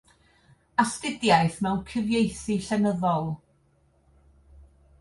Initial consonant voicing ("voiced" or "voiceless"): voiceless